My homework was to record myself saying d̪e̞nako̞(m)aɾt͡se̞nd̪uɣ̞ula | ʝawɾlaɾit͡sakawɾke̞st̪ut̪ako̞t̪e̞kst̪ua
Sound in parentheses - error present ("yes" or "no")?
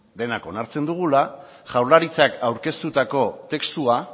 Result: yes